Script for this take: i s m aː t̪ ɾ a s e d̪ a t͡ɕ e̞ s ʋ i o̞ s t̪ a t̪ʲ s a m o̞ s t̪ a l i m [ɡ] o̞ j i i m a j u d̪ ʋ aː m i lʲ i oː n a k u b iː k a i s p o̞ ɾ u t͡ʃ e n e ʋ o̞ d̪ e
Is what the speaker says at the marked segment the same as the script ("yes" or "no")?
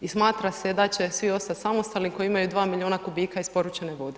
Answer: no